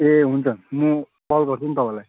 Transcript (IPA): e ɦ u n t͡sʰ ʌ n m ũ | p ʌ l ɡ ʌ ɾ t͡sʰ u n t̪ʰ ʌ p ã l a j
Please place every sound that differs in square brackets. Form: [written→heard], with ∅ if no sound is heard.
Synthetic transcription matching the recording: e ɦ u n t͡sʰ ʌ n m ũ | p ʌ l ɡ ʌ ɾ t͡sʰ u n [t̪ʰ→t̪] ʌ p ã l a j